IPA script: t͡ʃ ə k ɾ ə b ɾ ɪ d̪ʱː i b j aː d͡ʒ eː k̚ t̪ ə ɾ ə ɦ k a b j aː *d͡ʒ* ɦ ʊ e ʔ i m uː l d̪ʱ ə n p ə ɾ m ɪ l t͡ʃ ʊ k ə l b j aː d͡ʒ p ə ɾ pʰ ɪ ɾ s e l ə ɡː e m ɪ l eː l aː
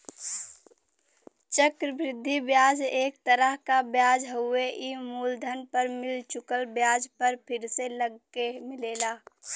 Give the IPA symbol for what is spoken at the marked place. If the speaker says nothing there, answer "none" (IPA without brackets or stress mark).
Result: d͡ʒ